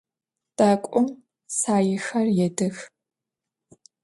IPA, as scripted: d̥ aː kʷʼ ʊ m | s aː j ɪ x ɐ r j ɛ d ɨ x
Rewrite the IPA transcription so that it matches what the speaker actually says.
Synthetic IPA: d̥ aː kʷʼ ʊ m | s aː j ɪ x ɐ r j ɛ d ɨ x